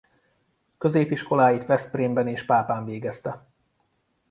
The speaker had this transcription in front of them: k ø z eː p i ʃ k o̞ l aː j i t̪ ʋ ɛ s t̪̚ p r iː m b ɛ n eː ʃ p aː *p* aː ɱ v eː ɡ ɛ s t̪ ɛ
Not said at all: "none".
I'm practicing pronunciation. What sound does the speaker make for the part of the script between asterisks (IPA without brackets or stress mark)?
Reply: p